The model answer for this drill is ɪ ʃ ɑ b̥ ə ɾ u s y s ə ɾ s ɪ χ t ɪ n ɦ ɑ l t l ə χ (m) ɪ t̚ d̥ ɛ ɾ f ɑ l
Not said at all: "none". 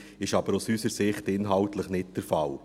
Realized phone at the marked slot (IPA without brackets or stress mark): n